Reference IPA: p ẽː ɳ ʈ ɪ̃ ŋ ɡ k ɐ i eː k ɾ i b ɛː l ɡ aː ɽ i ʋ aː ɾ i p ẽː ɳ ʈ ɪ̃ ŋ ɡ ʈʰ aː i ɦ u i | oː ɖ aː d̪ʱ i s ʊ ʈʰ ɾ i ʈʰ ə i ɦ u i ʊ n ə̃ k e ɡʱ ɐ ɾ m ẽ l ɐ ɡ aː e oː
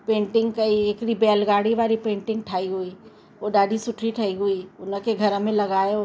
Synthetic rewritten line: p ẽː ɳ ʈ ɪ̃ ŋ ɡ k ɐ i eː k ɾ i b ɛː l ɡ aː ɽ i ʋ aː ɾ i p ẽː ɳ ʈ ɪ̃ ŋ ɡ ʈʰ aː i ɦ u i | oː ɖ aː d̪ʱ i s ʊ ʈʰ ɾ i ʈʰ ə i ɦ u i ʊ n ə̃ k e ɡʱ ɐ ɾ m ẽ l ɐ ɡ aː e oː